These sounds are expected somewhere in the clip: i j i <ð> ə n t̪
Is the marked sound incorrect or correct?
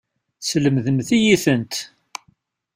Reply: incorrect: θ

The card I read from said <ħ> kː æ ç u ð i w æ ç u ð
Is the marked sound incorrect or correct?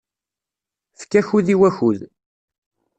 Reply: incorrect: f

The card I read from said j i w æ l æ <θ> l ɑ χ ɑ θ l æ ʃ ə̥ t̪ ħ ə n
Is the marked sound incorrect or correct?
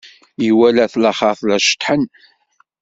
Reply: correct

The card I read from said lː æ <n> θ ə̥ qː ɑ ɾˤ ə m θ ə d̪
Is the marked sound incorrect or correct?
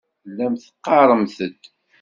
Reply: incorrect: m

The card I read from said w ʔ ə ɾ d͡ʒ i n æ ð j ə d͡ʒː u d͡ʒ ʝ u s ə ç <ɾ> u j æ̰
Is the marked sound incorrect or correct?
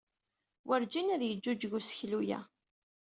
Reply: incorrect: l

